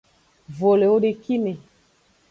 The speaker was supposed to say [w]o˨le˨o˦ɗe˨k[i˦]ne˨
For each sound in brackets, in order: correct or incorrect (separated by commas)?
incorrect, correct